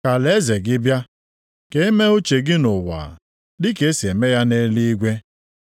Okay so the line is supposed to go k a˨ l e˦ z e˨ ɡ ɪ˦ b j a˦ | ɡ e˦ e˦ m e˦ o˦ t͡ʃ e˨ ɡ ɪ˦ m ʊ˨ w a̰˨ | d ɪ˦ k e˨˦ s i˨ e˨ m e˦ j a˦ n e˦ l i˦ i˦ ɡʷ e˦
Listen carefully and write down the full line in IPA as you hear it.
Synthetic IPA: k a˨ l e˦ z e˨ ɡ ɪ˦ b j a˦ | k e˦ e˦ m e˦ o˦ t͡ʃ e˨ ɡ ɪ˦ n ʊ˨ w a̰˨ | d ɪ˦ k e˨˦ s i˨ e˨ m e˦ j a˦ n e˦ l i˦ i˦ ɡʷ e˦